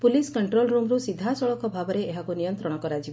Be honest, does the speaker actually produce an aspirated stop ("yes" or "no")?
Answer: no